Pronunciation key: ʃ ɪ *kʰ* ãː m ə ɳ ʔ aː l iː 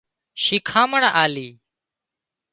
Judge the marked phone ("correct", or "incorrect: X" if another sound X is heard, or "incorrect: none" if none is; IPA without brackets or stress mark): correct